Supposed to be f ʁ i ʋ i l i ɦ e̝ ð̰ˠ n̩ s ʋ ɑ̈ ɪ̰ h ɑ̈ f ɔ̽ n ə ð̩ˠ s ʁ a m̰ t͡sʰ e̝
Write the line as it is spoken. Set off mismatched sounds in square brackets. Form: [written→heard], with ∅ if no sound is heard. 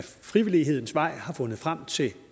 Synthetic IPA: f ʁ i ʋ i l i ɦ e̝ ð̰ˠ n̩ s ʋ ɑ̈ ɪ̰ h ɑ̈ f ɔ̽ n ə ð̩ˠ [s→f] ʁ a m̰ t͡sʰ e̝